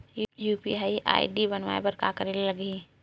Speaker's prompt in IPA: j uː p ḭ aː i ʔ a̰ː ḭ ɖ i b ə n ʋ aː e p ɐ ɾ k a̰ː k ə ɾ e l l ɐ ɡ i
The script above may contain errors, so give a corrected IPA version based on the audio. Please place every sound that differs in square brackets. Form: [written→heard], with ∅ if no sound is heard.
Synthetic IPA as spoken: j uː p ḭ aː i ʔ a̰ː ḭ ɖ i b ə n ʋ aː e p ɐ ɾ k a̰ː k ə ɾ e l l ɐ ɡ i